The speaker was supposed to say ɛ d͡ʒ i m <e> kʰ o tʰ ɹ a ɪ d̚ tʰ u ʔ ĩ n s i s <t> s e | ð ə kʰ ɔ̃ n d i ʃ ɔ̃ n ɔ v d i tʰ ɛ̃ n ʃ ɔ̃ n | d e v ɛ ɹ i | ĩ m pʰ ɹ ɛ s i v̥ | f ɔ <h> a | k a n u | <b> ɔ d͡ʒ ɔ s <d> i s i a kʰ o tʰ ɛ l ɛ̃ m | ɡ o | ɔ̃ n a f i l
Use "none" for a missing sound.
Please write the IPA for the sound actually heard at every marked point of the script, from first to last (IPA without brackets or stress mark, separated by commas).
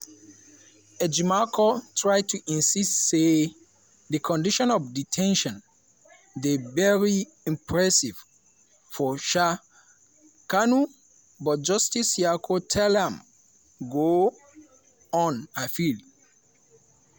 a, t, ʃ, b, t